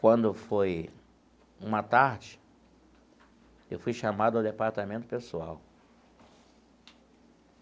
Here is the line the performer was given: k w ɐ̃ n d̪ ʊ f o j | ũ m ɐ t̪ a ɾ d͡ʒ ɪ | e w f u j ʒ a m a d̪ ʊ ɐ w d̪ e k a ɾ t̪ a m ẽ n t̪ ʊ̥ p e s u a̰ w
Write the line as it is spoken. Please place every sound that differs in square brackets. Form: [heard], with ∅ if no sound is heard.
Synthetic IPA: k w ɐ̃ n d̪ ʊ f o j | ũ m ɐ t̪ a ɾ d͡ʒ ɪ | e w f u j [ʃ] a m a d̪ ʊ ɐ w d̪ e [p] a ɾ t̪ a m ẽ n t̪ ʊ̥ p e s u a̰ w